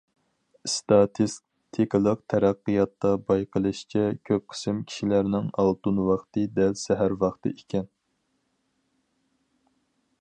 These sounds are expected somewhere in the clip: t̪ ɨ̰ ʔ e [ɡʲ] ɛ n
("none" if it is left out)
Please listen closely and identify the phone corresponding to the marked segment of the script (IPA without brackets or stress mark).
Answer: kʲ